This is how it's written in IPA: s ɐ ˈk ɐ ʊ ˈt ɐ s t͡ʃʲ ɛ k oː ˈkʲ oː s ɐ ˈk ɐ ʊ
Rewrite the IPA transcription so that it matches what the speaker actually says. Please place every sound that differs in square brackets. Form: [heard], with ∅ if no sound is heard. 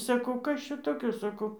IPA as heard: s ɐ ˈk ɐ ʊ [ˈk] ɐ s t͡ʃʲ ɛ [t] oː ˈkʲ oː s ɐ ˈk ɐ ʊ